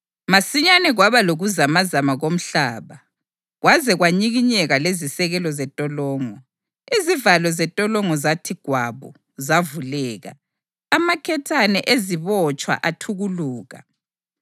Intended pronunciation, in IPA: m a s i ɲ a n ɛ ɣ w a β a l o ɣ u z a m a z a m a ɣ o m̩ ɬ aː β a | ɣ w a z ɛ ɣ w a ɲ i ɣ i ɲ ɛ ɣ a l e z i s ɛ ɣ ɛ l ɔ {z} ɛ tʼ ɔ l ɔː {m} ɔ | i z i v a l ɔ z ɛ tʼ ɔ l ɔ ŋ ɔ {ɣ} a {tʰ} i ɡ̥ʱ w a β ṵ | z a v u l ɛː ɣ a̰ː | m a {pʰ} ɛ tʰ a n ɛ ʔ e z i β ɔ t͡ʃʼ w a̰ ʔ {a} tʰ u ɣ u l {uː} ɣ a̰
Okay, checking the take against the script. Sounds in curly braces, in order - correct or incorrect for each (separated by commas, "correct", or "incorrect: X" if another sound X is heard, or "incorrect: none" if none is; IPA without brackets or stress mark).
correct, incorrect: ŋ, incorrect: z, correct, incorrect: kʰ, correct, correct